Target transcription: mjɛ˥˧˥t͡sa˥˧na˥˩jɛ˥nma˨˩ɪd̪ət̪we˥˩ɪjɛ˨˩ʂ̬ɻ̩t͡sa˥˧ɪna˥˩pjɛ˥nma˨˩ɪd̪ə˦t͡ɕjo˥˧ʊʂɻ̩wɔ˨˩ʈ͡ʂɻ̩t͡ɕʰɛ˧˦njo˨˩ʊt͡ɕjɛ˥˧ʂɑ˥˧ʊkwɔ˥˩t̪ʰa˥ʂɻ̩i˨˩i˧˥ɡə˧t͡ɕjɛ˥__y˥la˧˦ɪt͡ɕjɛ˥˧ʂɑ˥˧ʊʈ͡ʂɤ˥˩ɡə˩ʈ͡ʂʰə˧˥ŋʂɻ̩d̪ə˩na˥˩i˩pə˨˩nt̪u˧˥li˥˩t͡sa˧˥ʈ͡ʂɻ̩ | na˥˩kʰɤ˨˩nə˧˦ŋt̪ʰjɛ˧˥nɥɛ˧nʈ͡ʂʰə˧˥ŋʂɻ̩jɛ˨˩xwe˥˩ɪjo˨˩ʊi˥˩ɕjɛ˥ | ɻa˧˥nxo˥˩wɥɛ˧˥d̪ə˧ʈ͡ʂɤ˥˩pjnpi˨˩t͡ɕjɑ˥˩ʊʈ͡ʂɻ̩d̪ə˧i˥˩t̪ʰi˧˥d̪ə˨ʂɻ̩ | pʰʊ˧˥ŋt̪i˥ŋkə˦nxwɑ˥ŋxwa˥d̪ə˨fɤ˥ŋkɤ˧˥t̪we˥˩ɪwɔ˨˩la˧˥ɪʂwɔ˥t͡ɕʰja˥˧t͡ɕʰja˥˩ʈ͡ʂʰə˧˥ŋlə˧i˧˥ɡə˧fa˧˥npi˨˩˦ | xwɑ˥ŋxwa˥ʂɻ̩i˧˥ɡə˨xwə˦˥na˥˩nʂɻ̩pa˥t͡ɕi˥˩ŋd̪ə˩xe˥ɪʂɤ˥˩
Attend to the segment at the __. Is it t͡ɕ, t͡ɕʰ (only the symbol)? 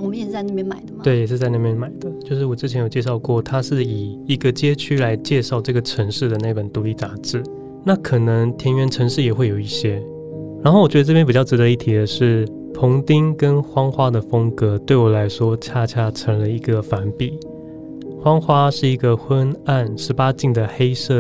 t͡ɕʰ